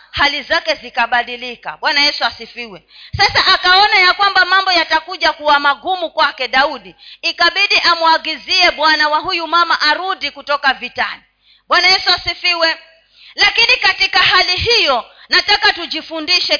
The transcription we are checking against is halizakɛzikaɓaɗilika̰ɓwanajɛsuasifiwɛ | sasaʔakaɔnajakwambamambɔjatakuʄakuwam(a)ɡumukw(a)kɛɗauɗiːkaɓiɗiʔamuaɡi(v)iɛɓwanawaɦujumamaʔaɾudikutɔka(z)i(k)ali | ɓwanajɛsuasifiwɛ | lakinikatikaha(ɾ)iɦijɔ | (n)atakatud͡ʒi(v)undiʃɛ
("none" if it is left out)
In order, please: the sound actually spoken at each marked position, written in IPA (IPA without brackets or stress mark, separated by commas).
a, a, z, v, t, l, n, f